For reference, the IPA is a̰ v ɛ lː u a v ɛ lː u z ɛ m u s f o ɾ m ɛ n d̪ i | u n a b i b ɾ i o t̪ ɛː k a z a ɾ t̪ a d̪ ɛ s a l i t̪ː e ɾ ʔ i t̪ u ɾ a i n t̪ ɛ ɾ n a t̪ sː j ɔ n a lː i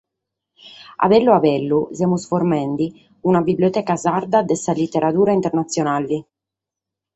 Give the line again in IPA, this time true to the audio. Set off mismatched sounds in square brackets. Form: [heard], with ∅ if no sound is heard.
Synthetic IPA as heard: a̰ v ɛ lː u a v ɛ lː u z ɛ m u s f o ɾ m ɛ n d̪ i | u n a b i b [l] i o t̪ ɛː k a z a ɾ [d̪] a d̪ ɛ s a l i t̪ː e ɾ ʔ [a] t̪ [uː] ɾ a i n t̪ ɛ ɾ n a t̪ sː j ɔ n a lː i